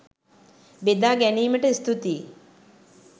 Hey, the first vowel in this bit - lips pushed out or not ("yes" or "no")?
no